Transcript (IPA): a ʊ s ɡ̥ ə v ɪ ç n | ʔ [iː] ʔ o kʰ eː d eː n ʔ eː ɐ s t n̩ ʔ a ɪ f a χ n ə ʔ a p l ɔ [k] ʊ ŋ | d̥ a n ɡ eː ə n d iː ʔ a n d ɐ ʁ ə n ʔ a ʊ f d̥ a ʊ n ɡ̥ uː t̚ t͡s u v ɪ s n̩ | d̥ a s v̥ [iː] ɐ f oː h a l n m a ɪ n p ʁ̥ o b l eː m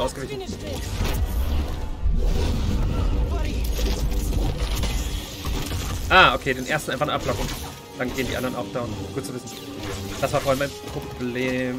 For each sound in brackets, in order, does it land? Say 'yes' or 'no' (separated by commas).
no, yes, no